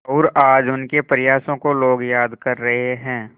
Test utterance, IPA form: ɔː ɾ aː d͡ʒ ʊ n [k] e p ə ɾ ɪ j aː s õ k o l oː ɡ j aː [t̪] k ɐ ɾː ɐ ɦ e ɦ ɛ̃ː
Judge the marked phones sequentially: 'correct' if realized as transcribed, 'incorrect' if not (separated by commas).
correct, incorrect